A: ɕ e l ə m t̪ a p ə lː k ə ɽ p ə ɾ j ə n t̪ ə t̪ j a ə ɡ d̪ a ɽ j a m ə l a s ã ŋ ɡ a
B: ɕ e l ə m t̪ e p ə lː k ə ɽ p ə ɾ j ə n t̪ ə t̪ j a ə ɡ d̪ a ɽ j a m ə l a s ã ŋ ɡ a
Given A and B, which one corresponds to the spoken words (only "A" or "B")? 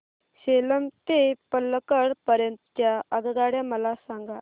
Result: B